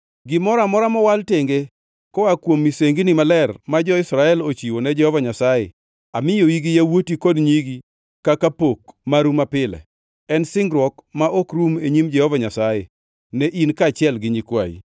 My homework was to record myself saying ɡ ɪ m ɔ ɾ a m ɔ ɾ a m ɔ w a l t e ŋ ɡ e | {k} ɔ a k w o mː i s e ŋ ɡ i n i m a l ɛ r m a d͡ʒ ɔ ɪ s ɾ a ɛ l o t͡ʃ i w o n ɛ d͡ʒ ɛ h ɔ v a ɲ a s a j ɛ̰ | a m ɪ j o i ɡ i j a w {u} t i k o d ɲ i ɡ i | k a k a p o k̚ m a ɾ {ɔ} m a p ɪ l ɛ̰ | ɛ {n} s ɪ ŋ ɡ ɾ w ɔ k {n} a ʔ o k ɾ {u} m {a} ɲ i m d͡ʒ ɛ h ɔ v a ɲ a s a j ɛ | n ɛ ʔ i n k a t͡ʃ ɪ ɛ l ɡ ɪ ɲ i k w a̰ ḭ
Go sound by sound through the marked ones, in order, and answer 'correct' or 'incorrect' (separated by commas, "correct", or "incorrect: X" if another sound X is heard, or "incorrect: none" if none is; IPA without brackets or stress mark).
correct, incorrect: o, incorrect: u, correct, incorrect: m, correct, incorrect: e